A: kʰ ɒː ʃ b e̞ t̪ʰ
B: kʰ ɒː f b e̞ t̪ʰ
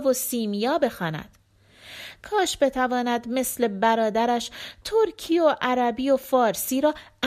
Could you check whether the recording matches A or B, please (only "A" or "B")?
A